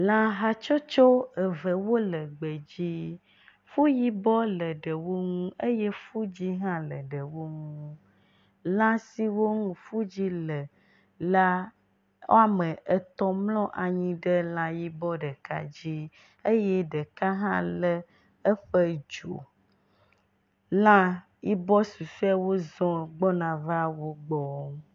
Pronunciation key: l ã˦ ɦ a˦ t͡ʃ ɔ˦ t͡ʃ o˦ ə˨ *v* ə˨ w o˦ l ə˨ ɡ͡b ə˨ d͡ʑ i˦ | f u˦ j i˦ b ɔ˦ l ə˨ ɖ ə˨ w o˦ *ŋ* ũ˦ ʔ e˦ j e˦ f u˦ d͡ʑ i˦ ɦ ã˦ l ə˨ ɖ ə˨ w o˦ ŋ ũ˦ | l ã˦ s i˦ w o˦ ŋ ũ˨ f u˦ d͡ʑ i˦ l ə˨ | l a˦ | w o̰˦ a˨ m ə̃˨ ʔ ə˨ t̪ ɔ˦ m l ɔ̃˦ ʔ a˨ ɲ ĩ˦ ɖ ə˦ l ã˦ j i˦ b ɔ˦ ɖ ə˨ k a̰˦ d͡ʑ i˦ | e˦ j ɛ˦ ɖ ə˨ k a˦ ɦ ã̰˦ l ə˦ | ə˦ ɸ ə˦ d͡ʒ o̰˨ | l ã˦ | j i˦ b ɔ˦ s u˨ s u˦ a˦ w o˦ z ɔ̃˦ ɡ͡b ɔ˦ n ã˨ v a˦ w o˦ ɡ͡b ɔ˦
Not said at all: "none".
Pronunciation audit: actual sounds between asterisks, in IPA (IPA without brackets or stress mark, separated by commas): v, ŋ